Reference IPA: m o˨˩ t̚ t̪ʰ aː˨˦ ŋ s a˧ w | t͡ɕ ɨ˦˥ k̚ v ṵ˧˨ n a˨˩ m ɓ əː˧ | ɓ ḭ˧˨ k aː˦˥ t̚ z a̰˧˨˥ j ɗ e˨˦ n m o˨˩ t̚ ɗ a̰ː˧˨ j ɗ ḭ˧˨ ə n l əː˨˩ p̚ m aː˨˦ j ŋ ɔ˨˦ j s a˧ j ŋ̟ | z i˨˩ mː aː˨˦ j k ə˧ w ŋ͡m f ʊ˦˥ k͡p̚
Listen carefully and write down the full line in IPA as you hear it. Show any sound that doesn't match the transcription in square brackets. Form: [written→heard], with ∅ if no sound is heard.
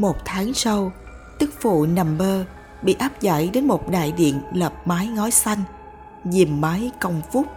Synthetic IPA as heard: m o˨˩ t̚ t̪ʰ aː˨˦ ŋ s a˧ w | t͡ɕ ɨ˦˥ k̚ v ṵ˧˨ n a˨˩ m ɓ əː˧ | ɓ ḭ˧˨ [k→ʔ] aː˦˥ [t̚→p̚] z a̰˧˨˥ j ɗ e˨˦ n m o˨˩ t̚ ɗ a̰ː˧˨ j ɗ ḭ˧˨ ə n l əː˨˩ p̚ m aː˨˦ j ŋ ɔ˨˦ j s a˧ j ŋ̟ | z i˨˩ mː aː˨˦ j k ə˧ w ŋ͡m f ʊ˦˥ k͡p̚